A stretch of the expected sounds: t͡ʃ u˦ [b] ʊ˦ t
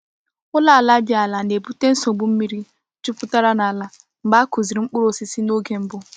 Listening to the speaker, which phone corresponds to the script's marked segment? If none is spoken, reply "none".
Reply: p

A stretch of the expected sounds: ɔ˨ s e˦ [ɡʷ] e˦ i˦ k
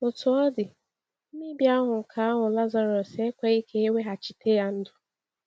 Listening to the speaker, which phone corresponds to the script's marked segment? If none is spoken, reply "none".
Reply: kʷ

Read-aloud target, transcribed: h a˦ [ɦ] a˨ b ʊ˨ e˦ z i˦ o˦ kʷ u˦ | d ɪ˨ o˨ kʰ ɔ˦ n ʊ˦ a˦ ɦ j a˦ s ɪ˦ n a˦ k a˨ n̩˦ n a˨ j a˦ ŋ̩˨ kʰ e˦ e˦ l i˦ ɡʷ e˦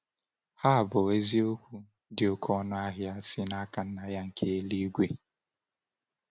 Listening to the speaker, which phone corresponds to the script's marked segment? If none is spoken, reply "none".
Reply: none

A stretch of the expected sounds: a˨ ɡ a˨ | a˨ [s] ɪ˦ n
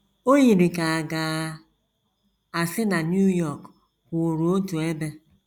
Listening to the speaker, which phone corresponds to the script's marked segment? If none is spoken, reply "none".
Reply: s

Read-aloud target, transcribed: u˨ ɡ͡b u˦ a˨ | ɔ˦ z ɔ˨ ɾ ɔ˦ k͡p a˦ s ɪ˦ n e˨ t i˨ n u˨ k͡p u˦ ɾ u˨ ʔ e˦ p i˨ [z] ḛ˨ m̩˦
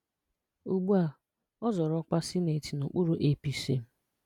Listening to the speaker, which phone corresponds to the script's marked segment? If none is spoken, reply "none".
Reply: s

